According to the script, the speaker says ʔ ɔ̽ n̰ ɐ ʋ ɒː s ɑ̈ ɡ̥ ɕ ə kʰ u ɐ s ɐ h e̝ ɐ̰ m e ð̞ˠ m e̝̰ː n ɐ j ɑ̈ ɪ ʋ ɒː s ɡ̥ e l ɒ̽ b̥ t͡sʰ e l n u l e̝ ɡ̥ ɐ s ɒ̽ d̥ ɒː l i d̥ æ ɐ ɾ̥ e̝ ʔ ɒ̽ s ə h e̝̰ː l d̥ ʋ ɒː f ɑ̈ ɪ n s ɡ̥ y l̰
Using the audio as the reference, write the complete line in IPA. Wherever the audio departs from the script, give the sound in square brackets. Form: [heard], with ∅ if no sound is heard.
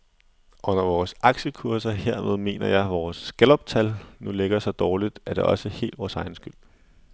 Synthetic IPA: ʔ ɔ̽ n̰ ɐ ʋ ɒː s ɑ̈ ɡ̥ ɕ ə kʰ u ɐ s ɐ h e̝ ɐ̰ m e ð̞ˠ m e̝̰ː n ɐ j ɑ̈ ɪ ʋ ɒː s ɡ̥ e l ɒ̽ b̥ t͡sʰ [æ] l n u l e̝ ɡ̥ ɐ s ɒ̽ d̥ ɒː l i d̥ æ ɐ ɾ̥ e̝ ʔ ɒ̽ s ə h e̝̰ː l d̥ ʋ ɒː [s] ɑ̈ ɪ n s ɡ̥ y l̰